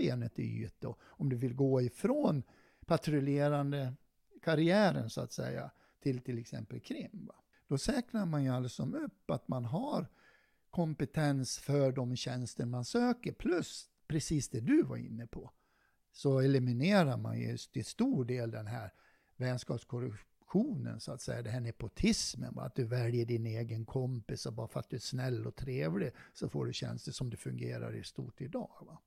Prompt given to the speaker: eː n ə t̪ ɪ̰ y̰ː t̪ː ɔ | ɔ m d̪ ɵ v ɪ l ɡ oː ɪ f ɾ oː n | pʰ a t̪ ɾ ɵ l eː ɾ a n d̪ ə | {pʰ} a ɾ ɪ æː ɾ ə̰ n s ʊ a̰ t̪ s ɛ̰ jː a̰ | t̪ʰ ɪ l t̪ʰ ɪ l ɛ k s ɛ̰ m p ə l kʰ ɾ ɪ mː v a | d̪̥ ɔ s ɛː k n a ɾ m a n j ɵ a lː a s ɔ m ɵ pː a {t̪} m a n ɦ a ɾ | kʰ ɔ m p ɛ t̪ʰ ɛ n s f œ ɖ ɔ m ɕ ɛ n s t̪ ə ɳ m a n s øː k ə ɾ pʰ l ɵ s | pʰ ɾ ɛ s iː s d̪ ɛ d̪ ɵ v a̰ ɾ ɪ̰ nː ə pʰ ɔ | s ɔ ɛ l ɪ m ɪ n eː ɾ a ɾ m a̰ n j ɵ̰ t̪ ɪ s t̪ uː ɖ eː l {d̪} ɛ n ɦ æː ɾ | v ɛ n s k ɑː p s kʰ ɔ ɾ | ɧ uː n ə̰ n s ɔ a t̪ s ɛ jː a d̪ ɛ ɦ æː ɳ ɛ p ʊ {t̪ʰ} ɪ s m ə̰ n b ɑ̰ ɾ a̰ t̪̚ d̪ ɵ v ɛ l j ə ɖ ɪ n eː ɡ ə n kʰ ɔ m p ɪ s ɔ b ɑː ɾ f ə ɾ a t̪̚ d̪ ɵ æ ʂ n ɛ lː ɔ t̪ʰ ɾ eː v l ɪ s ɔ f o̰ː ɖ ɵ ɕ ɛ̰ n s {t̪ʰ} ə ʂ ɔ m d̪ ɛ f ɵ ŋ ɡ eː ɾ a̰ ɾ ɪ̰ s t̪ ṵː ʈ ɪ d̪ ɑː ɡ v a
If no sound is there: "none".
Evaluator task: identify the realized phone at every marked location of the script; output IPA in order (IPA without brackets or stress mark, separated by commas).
kʰ, t̪, d̪, t̪ʰ, t̪